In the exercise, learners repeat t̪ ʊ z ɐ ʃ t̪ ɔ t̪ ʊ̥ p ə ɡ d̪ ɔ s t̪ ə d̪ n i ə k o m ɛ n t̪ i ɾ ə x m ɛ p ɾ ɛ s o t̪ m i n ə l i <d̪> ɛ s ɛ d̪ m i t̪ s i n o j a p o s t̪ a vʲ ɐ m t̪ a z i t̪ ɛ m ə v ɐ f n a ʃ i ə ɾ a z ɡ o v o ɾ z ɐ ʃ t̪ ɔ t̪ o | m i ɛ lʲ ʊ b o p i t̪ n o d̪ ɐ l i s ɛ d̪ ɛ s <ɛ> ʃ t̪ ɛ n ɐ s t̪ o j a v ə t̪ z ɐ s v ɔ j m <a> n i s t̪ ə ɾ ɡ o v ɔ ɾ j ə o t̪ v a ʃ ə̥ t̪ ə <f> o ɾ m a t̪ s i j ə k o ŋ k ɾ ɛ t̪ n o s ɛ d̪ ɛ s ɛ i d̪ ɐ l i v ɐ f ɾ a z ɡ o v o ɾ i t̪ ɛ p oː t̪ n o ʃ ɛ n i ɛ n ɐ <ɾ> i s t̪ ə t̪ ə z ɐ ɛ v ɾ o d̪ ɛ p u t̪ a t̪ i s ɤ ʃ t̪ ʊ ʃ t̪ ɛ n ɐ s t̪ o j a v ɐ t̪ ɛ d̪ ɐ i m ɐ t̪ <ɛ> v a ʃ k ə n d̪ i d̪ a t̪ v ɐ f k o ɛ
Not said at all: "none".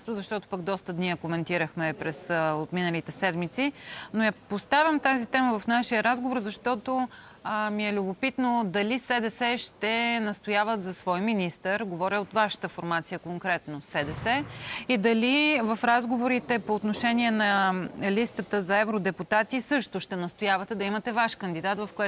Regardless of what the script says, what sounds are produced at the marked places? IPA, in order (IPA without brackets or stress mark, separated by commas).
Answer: t̪, ɛ, i, f, l, ɛ